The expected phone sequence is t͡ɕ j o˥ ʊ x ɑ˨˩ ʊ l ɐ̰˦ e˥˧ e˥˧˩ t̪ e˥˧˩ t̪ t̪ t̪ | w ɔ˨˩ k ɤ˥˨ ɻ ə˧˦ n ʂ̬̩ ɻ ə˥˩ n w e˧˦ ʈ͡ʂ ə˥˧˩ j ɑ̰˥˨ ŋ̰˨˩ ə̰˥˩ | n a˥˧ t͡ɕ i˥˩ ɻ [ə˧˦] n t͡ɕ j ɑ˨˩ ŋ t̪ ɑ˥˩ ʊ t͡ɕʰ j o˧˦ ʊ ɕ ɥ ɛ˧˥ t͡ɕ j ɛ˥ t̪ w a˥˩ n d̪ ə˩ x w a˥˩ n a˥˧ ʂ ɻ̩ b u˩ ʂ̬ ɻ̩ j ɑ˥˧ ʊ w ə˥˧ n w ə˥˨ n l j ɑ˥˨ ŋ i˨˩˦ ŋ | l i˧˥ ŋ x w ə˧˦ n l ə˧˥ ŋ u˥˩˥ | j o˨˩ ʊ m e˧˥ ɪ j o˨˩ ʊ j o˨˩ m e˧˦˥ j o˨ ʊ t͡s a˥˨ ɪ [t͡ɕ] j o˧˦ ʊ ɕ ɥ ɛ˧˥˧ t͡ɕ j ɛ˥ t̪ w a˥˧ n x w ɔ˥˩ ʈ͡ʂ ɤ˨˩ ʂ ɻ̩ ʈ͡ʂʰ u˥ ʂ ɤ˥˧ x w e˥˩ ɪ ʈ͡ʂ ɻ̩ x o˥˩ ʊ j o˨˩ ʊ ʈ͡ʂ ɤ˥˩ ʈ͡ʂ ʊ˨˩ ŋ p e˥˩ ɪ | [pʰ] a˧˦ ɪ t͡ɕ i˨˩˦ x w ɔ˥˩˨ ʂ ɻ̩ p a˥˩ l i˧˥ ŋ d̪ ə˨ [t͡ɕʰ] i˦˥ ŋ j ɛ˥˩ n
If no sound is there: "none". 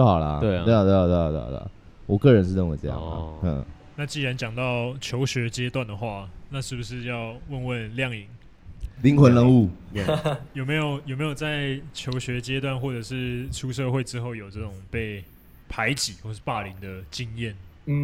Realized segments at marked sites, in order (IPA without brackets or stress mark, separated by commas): a˧˦, t͡ɕʰ, pʰ, t͡ɕ